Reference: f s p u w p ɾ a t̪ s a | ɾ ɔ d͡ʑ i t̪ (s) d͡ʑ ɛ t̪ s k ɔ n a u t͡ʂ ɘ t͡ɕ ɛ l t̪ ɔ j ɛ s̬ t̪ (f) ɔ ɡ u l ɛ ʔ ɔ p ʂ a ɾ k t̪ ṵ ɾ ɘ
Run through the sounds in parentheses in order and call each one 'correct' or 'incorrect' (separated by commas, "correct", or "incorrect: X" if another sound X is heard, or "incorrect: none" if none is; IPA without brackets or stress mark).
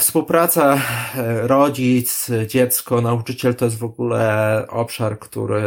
correct, incorrect: v